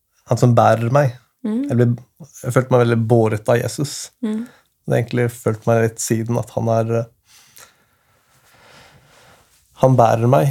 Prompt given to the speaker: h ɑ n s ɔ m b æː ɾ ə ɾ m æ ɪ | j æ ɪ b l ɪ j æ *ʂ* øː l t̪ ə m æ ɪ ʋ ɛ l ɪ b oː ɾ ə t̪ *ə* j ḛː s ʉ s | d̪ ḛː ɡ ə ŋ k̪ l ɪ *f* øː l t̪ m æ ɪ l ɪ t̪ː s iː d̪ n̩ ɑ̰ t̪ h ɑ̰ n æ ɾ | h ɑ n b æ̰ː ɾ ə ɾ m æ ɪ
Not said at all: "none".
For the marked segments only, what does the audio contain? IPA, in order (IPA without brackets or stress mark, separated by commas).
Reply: f, ɑ, f